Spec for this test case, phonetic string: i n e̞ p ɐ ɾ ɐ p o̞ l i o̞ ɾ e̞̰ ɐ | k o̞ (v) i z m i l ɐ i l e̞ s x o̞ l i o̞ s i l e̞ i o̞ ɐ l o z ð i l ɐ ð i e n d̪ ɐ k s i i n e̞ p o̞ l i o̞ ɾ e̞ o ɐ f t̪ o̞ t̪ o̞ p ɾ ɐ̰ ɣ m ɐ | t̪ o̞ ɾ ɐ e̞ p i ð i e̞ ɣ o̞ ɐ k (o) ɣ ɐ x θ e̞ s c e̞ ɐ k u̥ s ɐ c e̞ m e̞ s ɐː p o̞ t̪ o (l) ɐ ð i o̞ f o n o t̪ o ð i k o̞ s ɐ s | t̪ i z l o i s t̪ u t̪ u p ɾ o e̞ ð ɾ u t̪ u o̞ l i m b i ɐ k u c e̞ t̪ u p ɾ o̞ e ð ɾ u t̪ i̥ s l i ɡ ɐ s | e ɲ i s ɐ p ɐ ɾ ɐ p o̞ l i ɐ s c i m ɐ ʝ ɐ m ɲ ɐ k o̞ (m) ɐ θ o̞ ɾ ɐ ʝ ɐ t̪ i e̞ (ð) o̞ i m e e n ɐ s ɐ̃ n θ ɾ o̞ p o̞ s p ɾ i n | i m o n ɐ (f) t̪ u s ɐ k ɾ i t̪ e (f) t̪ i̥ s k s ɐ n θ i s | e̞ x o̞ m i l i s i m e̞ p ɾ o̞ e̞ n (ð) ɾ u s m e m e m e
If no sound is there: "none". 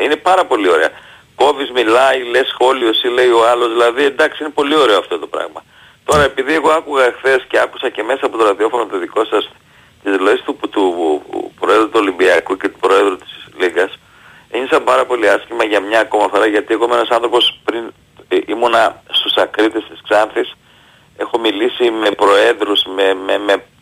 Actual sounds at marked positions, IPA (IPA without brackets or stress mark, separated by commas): v, u, ɾ, m, ɣ, s, s, ð